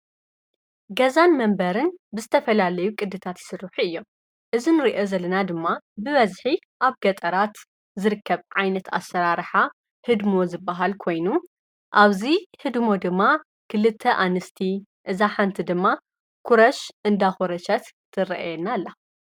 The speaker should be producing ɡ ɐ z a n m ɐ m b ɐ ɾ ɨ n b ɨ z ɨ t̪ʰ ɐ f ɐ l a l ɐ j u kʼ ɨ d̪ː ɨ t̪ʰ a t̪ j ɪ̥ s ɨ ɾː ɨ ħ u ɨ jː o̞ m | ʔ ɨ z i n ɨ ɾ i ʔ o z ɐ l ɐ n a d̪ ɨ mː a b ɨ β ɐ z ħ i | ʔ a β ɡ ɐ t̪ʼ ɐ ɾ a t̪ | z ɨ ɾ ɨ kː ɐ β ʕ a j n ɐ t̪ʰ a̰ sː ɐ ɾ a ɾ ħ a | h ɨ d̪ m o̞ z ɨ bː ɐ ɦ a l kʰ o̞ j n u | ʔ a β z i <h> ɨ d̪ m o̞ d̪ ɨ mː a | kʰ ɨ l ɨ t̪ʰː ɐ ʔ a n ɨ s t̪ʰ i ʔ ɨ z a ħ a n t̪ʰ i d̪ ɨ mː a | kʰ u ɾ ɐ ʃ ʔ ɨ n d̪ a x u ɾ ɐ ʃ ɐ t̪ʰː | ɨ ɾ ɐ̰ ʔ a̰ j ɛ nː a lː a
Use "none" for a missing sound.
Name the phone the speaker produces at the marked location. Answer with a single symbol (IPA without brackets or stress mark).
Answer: h